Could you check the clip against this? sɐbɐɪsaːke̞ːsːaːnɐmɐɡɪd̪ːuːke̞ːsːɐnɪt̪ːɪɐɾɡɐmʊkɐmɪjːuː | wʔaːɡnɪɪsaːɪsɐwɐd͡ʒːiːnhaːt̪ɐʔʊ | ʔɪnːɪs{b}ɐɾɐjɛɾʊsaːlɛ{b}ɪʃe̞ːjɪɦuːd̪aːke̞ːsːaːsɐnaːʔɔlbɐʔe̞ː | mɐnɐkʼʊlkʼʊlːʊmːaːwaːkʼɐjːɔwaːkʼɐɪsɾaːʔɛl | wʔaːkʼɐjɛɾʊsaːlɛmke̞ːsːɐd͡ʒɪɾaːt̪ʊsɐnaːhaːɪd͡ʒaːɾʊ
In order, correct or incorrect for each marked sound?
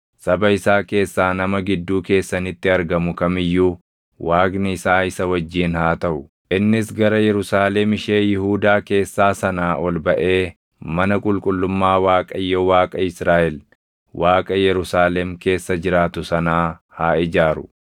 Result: incorrect, incorrect

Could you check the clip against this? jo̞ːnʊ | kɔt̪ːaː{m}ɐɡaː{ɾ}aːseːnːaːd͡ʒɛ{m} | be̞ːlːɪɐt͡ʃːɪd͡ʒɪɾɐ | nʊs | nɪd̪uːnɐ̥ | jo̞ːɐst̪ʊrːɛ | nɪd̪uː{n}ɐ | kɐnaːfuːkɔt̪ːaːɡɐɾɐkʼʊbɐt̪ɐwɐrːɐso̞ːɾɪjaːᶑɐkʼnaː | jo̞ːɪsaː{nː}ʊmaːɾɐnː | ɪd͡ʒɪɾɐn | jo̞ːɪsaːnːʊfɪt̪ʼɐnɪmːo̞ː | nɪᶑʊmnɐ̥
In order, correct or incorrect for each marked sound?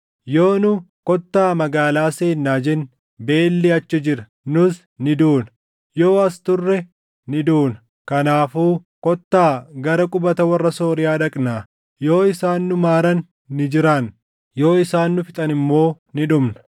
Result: correct, incorrect, incorrect, correct, correct

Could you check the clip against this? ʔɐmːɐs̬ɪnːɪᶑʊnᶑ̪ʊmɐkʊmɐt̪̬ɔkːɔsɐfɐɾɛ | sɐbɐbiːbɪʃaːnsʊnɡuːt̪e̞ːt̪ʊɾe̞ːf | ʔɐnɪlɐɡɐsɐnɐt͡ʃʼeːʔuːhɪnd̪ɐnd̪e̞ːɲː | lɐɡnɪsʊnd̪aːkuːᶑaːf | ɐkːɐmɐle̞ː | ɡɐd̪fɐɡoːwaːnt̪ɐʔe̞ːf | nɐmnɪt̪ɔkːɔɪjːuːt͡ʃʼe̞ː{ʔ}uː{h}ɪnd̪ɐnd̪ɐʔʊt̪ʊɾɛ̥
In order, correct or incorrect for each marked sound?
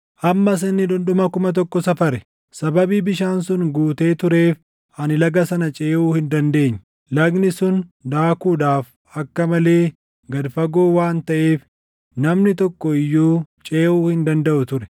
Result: correct, correct

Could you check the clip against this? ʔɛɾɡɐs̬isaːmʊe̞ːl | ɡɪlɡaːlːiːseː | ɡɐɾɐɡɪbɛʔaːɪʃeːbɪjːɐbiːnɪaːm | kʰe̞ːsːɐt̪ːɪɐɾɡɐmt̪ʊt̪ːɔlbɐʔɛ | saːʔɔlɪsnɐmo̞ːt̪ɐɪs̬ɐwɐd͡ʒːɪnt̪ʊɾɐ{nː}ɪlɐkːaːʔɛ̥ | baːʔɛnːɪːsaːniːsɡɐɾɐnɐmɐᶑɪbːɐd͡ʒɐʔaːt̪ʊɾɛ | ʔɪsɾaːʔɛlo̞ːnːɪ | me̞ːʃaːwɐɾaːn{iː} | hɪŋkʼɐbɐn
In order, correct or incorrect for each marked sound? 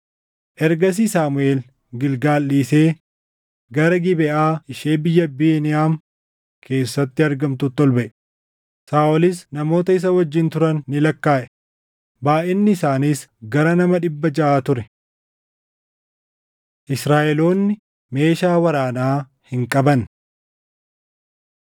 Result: correct, incorrect

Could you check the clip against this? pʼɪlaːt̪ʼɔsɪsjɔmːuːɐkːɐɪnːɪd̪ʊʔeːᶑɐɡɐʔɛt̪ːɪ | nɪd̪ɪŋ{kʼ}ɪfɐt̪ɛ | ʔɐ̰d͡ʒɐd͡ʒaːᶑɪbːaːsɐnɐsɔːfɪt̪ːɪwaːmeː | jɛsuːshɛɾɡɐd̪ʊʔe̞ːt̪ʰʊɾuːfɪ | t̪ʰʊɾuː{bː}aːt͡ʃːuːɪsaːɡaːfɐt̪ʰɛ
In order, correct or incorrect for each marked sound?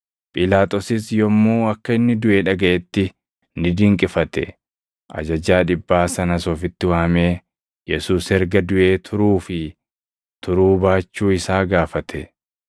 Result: correct, incorrect

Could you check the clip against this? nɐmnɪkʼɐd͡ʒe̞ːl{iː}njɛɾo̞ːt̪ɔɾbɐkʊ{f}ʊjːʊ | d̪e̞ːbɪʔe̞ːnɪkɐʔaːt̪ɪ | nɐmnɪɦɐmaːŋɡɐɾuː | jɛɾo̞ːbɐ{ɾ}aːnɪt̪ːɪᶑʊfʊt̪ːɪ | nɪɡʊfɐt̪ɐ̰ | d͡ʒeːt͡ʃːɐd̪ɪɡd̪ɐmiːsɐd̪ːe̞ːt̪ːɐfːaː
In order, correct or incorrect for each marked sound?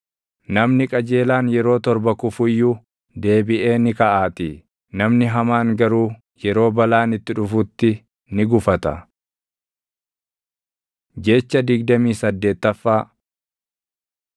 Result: incorrect, correct, incorrect

